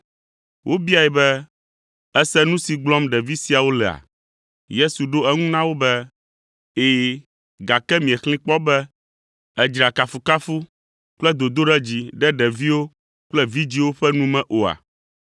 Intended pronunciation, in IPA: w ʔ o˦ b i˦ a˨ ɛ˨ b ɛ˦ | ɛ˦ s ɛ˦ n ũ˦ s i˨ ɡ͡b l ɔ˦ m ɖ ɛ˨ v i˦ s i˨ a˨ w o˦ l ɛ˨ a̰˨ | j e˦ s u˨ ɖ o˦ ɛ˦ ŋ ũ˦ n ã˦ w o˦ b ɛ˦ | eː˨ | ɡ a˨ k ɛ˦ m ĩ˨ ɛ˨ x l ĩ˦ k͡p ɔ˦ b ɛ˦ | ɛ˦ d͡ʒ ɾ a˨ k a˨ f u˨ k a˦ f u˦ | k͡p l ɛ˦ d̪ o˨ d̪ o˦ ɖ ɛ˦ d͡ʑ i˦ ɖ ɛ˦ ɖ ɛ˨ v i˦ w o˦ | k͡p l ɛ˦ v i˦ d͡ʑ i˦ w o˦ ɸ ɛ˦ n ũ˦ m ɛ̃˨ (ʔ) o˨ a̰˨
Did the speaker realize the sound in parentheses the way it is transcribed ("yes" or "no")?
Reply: yes